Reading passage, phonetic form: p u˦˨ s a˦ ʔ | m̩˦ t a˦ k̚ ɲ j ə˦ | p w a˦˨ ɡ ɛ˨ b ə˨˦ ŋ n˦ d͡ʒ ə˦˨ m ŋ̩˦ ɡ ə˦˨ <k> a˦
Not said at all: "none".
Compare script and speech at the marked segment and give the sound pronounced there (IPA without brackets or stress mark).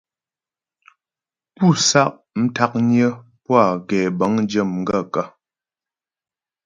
k